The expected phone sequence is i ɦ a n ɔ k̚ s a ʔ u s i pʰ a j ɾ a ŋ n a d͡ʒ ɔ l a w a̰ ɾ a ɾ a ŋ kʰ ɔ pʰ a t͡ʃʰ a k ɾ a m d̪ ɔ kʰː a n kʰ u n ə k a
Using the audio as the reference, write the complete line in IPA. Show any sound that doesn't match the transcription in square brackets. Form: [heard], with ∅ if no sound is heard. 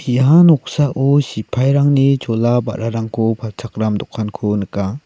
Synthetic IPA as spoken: i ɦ a n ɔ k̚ s a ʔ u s i pʰ a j ɾ a ŋ n [i] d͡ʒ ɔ l a [b] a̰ ɾ a ɾ a ŋ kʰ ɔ pʰ a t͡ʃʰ a k ɾ a m d̪ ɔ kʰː a n kʰ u n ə k a